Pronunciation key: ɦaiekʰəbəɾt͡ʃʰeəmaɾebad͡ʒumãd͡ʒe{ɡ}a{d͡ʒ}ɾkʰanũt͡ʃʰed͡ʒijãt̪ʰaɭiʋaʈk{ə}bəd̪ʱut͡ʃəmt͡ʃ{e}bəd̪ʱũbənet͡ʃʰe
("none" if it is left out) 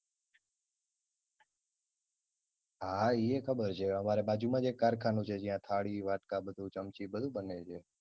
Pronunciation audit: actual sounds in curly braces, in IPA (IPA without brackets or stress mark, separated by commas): k, none, a, i